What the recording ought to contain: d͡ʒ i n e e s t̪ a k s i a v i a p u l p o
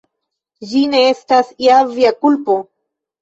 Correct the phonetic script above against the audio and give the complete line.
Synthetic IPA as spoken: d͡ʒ i n e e s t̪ a s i a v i a k u l p o